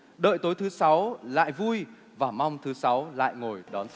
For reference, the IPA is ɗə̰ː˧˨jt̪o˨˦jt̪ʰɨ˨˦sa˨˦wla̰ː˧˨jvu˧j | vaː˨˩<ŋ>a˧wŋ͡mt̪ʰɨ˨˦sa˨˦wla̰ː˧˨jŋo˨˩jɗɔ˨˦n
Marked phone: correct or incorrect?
incorrect